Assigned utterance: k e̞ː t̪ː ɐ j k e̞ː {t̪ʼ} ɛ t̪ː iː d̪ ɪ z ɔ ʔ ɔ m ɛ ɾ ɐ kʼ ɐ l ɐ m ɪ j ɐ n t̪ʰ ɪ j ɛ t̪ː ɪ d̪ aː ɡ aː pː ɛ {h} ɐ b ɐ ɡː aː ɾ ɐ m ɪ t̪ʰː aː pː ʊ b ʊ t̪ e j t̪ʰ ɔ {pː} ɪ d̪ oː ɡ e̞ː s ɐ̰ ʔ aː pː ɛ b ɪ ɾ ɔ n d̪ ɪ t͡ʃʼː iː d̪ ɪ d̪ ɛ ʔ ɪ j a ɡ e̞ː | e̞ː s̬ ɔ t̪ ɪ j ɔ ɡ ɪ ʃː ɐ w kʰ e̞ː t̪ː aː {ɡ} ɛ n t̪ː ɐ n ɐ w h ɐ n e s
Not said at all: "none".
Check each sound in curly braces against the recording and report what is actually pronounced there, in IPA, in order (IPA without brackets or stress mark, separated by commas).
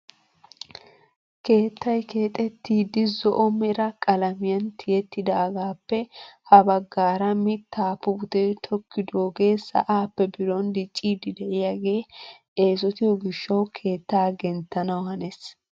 t̪ʼ, h, kː, ɡ